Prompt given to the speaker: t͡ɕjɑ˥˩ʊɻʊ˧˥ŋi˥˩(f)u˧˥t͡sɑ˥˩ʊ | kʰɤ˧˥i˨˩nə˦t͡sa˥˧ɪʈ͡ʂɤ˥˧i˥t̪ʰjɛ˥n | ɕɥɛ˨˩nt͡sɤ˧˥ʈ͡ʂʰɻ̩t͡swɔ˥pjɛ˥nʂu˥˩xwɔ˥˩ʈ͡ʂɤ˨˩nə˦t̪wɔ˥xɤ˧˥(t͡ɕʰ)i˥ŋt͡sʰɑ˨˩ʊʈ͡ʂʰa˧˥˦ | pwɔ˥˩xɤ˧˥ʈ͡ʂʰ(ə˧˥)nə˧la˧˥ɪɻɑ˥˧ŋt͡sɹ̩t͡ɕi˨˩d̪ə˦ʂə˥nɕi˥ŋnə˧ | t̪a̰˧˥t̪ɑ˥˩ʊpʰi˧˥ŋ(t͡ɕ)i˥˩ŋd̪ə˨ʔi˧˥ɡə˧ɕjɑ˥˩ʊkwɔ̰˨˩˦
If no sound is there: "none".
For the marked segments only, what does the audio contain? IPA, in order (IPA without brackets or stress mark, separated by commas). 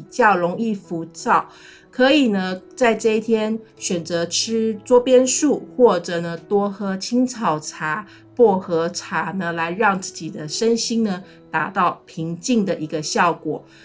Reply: f, t͡ɕʰ, a˧˥, t͡ɕ